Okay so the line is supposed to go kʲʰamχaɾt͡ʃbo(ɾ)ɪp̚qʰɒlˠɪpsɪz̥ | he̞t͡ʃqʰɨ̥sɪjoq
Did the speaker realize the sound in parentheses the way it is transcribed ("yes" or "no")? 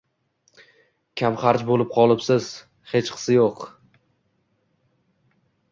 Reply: no